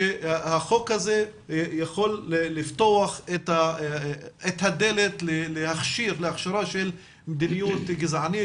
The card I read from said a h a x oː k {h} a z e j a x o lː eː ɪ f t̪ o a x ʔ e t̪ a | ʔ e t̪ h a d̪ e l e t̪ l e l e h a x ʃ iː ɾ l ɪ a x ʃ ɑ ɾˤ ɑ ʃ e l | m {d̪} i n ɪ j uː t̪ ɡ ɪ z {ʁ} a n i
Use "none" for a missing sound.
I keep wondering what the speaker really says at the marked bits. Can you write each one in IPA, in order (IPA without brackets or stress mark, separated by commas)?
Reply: h, d̪, ʕ